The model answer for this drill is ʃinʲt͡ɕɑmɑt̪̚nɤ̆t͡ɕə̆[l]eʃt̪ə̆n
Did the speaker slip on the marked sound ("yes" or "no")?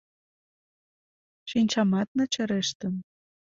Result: yes